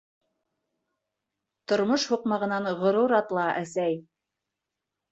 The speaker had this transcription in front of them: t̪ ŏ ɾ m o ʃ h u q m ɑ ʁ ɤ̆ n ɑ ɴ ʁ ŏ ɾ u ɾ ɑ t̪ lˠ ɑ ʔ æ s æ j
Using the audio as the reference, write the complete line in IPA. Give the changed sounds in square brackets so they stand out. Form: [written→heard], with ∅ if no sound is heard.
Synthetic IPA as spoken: t̪ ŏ ɾ m o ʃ h u q m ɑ ʁ ɤ̆ n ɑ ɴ ʁ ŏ ɾ u ɾ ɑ t̪ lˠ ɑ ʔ æ s æ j